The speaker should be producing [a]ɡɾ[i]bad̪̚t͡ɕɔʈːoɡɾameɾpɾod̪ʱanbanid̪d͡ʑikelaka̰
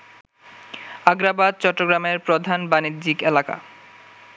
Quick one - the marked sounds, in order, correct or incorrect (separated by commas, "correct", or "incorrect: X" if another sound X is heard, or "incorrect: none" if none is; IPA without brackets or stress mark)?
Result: correct, incorrect: a